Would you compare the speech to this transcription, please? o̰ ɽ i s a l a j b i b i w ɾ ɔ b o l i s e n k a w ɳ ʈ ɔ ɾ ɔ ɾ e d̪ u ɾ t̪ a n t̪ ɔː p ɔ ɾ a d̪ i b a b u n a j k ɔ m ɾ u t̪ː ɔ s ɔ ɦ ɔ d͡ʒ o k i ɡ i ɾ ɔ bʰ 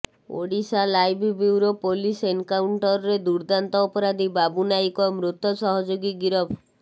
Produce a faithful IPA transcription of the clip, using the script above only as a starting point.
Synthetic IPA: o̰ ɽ i s a l a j b i b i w ɾ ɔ p o l i s e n k a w ɳ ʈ ɔ ɾ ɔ ɾ e d̪ u ɾ d̪ a n t̪ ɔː p ɔ ɾ a d̪ i b a b u n a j k ɔ m ɾ u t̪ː ɔ s ɔ ɦ ɔ d͡ʒ o ɡ i ɡ i ɾ ɔ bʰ